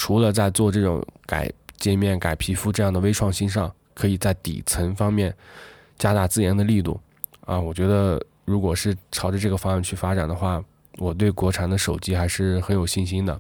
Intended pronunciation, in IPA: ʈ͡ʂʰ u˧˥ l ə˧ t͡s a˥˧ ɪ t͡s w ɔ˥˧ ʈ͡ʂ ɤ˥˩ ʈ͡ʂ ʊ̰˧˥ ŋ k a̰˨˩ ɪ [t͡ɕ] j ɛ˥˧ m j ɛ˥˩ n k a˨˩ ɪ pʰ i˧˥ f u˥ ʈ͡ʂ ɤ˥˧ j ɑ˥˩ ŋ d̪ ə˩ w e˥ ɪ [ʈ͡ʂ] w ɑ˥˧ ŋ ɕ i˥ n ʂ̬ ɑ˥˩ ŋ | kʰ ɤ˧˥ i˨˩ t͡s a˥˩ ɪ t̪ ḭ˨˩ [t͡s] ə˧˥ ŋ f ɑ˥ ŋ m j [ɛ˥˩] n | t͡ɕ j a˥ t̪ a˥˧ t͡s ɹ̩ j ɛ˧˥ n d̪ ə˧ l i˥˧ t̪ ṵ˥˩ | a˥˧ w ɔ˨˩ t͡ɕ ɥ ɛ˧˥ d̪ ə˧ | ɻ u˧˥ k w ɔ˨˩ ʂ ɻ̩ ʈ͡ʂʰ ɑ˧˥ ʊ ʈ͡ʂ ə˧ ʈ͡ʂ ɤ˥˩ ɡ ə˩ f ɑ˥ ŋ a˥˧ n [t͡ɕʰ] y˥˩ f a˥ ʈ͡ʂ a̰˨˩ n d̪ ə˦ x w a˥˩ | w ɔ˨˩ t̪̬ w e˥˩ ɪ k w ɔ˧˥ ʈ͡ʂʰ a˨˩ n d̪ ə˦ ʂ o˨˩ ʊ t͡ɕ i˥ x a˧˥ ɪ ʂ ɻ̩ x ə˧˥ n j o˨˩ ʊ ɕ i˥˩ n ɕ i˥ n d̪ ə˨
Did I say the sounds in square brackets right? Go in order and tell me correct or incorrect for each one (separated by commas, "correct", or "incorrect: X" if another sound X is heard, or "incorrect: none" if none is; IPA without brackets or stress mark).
correct, incorrect: ʈ͡ʂʰ, incorrect: t͡sʰ, correct, correct